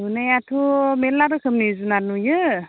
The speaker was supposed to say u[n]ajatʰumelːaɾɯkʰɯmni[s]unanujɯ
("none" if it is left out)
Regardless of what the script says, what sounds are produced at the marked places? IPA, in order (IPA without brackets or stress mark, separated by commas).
n, z